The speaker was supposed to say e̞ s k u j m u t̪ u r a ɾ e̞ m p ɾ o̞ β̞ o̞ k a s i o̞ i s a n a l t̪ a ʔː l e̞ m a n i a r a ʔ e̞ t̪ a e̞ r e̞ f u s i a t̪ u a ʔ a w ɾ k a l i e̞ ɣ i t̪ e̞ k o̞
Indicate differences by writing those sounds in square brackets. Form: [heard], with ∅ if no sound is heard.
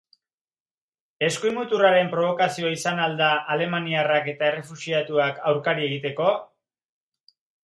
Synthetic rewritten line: e̞ s k u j m u t̪ u r a ɾ e̞ m p ɾ o̞ β̞ o̞ k a s i o̞ i s a n a l [d̪] a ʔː l e̞ m a n i a r a [k] e̞ t̪ a e̞ r e̞ f u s i a t̪ u a [k] a w ɾ k a [ɾ] i e̞ ɣ i t̪ e̞ k o̞